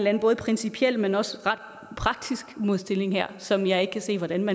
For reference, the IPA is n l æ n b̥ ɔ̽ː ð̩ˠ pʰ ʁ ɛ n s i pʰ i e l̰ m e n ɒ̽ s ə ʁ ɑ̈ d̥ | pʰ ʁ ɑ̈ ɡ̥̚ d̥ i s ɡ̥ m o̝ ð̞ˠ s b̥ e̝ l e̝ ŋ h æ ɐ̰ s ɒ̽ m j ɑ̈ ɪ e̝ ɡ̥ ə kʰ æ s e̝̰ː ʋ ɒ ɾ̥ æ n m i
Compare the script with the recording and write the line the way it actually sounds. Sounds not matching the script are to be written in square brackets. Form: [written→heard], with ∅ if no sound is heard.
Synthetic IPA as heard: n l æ n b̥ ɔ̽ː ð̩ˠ pʰ ʁ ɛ n s i pʰ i e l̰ m e n ɒ̽ s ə ʁ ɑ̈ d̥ | pʰ ʁ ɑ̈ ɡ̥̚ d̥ i s ɡ̥ m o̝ ð̞ˠ s [b̥→d̥] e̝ l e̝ ŋ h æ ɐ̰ s ɒ̽ m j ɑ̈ ɪ e̝ ɡ̥ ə kʰ æ s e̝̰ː ʋ ɒ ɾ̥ æ n m [i→æ]